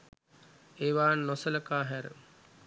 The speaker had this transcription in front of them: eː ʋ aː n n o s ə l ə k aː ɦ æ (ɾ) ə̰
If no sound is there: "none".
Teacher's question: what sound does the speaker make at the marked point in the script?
ɾ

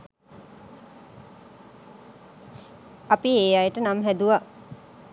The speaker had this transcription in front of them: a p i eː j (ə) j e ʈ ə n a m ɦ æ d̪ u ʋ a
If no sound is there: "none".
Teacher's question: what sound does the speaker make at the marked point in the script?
a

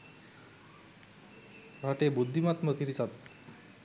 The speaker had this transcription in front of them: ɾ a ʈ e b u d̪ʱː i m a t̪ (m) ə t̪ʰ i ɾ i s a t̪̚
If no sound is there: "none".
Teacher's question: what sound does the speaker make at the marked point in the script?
m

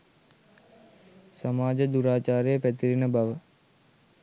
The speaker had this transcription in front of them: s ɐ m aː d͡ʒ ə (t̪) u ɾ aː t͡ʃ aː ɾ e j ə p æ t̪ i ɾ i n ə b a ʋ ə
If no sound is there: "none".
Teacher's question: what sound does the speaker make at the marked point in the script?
d̪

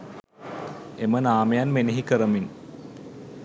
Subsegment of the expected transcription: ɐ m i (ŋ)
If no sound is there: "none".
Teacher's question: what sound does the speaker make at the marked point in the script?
n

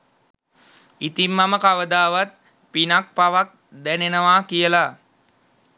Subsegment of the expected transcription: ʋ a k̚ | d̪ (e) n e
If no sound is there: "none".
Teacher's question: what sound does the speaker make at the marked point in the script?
æ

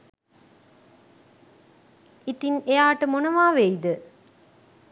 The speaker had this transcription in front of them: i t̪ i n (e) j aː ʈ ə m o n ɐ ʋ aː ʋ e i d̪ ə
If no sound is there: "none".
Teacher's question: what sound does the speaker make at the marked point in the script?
e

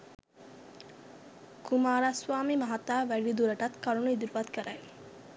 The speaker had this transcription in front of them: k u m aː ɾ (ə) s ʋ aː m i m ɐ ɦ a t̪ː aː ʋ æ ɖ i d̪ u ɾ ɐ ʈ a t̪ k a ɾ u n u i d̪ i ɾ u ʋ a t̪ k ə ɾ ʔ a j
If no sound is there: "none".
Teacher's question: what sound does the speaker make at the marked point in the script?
a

